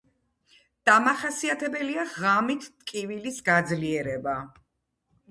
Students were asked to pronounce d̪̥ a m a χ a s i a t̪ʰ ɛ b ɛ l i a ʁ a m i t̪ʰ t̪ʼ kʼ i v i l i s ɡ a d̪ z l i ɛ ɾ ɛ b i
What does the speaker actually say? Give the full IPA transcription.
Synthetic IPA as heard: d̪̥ a m a χ a s i a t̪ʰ ɛ b ɛ l i a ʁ a m i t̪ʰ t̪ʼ kʼ i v i l i s ɡ a d̪ z l i ɛ ɾ ɛ b a